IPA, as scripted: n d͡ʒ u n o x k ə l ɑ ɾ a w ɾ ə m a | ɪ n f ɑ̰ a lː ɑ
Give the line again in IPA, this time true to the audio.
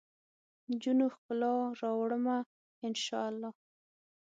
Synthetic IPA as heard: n d͡ʒ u n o x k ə l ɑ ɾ ɑ w ɽ ə m a | ɪ n ʃ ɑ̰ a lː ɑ